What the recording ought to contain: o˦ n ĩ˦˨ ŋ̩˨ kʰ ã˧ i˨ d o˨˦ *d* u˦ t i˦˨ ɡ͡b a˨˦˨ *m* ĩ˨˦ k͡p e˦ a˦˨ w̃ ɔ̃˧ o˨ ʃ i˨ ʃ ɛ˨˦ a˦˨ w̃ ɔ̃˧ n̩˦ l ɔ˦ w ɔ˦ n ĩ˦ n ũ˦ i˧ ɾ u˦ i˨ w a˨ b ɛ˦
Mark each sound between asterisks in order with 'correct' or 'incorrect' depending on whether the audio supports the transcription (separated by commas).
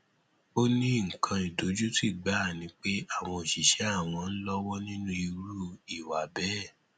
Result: incorrect, incorrect